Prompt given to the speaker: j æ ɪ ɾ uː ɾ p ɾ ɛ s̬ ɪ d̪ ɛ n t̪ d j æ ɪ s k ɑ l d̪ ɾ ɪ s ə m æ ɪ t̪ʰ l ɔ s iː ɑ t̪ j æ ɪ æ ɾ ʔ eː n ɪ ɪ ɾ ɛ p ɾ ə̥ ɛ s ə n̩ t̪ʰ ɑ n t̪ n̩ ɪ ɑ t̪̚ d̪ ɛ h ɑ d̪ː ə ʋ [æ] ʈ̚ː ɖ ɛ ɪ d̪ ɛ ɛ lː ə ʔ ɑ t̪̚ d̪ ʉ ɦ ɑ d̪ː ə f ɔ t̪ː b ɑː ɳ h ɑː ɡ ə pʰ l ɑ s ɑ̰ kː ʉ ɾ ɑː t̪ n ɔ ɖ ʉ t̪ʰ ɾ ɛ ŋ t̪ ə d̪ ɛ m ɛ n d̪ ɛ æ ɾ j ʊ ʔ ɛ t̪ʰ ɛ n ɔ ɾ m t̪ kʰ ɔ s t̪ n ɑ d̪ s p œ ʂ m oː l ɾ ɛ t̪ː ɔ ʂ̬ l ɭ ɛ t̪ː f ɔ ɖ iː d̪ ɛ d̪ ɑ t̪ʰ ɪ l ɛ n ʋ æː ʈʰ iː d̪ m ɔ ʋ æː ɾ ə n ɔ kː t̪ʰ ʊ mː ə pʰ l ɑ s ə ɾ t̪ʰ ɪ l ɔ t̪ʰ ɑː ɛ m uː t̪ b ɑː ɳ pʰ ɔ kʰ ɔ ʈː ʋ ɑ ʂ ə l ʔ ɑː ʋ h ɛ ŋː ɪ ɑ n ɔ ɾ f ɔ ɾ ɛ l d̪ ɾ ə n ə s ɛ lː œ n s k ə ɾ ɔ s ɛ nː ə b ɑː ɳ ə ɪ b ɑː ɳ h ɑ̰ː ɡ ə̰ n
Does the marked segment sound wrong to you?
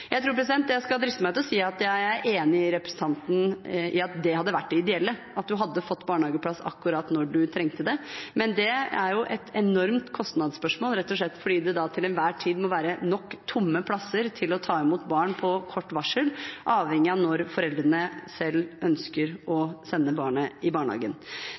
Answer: no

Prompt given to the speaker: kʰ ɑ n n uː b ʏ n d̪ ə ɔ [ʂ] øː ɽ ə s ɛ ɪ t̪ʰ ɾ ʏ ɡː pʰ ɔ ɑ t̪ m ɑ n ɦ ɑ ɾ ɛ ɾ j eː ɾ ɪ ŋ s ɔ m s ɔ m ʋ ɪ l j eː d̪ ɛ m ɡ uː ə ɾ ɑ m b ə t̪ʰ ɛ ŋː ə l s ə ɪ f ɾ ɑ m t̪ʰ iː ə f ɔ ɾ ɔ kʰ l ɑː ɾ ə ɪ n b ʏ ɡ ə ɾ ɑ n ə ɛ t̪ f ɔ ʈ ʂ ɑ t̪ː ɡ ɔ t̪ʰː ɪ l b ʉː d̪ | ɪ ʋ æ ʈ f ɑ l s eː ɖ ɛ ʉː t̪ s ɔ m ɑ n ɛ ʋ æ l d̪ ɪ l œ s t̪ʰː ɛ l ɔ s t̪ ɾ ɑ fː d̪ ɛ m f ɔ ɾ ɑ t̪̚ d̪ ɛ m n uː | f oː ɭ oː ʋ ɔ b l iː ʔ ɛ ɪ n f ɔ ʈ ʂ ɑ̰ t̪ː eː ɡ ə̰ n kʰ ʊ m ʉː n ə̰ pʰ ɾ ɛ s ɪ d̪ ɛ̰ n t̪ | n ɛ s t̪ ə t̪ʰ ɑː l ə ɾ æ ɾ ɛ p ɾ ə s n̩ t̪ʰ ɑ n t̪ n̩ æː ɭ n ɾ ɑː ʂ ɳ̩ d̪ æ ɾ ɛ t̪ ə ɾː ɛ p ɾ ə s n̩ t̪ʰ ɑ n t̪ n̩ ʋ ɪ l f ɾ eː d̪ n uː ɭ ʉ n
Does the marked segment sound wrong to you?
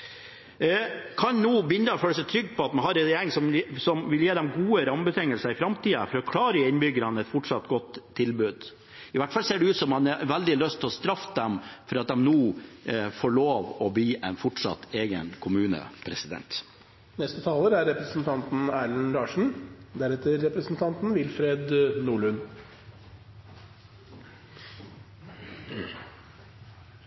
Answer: yes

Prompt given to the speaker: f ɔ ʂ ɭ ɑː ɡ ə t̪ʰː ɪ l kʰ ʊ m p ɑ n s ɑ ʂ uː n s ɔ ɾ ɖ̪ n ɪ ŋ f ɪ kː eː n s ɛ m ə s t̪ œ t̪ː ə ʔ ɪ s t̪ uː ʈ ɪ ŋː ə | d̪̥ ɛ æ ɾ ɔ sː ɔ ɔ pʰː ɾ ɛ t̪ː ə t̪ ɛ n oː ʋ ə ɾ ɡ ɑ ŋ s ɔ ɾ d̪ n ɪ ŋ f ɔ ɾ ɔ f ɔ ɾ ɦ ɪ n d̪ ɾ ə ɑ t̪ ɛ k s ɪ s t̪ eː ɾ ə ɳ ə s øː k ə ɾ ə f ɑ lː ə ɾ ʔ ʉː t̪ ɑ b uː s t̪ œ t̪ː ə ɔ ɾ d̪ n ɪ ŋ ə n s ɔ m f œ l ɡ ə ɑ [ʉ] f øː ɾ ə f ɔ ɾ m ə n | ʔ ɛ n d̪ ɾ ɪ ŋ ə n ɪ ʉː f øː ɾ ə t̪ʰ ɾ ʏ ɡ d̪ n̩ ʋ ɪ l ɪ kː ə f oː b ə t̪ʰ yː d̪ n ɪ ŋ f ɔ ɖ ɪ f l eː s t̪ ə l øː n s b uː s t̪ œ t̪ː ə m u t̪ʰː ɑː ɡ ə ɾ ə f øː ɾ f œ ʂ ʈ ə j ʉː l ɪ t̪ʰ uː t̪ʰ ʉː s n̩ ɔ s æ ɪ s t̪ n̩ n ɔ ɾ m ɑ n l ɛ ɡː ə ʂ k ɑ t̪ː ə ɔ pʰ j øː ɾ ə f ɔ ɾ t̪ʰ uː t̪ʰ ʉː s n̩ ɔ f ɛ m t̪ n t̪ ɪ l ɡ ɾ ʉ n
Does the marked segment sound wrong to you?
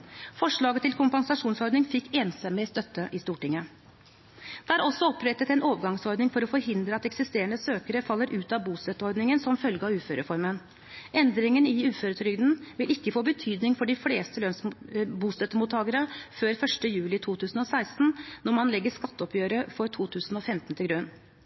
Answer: yes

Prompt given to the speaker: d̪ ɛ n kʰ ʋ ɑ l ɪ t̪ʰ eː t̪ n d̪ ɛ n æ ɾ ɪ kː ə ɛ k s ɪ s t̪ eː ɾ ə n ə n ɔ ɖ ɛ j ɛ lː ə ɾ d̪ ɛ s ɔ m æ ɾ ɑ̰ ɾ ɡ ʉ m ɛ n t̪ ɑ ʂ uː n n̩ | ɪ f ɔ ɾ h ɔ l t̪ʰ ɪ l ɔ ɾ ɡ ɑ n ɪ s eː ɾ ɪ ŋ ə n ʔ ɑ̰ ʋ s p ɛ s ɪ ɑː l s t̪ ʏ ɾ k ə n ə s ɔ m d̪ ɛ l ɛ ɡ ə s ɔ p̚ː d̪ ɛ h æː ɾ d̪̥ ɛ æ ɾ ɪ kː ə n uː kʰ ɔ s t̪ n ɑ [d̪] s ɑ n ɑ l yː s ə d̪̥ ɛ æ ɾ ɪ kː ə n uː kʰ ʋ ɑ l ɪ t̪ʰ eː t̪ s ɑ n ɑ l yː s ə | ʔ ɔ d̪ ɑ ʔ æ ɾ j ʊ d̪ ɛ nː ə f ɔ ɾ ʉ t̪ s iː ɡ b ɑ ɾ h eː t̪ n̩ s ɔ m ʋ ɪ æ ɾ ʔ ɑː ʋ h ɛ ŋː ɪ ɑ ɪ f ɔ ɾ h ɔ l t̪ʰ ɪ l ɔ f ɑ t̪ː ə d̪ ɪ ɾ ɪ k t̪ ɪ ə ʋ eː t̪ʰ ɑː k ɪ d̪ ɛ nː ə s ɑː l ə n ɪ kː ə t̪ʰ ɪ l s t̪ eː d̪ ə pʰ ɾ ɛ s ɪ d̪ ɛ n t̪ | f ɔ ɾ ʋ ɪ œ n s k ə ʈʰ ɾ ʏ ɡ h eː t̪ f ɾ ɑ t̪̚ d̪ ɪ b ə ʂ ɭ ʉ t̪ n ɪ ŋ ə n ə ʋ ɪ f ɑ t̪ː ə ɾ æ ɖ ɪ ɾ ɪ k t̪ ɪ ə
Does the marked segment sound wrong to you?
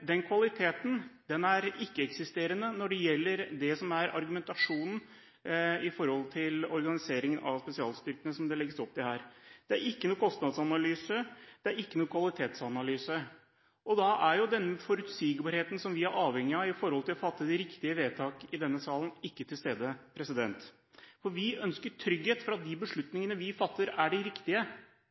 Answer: no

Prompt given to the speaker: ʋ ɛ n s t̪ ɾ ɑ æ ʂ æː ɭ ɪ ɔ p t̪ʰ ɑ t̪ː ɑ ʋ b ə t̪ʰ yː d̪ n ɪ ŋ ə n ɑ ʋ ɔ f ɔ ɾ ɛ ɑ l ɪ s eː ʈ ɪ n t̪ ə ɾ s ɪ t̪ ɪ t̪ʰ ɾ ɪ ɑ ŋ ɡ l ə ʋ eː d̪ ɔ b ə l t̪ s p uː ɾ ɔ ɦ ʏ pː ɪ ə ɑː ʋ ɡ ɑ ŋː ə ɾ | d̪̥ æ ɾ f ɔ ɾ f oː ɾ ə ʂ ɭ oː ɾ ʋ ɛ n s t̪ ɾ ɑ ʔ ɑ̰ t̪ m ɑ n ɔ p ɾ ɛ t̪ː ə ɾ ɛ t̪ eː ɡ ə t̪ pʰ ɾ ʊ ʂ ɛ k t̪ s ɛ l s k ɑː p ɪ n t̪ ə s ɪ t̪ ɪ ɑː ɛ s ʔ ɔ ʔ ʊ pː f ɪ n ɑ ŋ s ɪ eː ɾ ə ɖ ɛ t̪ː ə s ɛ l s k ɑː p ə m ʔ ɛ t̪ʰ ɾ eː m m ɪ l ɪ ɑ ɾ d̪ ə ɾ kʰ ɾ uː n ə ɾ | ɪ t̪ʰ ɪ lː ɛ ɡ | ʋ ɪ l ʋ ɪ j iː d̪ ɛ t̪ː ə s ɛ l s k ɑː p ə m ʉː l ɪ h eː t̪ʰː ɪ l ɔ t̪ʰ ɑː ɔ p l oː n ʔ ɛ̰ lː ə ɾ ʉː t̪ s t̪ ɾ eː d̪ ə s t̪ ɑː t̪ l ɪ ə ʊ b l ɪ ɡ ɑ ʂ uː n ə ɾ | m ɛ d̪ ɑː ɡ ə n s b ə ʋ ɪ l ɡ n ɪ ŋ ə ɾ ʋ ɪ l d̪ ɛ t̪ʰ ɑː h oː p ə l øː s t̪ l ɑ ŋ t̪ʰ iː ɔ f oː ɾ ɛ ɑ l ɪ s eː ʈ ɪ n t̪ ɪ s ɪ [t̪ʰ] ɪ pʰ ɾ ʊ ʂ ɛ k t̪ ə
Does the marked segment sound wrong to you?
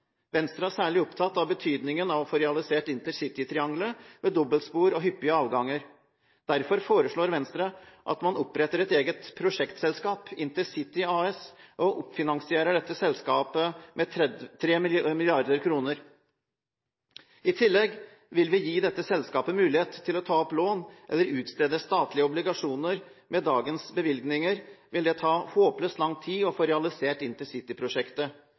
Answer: yes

